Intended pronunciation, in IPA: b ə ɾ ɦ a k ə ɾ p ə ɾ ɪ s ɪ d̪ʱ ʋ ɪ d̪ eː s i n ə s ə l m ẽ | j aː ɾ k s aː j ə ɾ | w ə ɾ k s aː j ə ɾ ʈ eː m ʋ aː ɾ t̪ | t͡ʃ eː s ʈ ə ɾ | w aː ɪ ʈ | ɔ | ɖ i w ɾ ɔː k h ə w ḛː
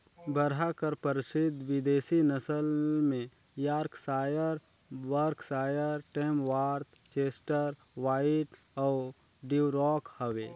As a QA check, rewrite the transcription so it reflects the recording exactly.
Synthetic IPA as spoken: b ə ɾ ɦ a k ə ɾ p ə ɾ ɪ s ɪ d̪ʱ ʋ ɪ d̪ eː s i n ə s ə l m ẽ | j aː ɾ k s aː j ə ɾ | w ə ɾ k s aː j ə ɾ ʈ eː m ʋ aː ɾ t̪ | t͡ʃ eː s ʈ ə ɾ | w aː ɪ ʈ | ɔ | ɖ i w ɾ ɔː k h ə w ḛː